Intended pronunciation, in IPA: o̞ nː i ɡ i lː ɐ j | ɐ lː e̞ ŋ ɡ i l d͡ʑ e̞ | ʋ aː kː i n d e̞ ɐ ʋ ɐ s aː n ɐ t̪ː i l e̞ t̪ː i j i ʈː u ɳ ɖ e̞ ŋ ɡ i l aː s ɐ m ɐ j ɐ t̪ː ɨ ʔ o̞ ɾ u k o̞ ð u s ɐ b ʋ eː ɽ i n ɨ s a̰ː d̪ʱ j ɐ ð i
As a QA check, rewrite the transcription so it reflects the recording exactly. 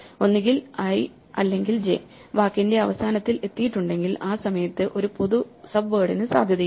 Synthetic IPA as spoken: o̞ nː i ɡ i l ɐ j | ɐ lː e̞ ŋ ɡ i l d͡ʑ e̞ | ʋ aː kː i n d e̞ ɐ ʋ ɐ s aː n ɐ t̪ː i l e̞ t̪ː i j i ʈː u ɳ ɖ e̞ ŋ ɡ i l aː s ɐ m ɐ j ɐ t̪ː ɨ ʔ o̞ ɾ u p o̞ ð u s ɐ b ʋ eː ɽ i n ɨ s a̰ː d̪ʱ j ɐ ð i